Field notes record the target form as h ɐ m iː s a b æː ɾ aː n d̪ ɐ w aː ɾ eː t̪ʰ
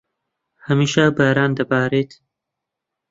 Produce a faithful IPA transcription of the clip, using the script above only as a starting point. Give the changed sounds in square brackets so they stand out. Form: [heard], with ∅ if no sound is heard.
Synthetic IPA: h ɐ m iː [ʃ] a b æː ɾ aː n d̪ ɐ [b] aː ɾ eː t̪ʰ